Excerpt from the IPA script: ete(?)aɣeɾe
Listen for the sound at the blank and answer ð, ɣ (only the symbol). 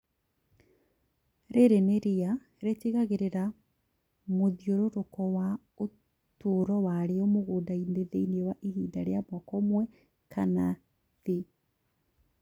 ɣ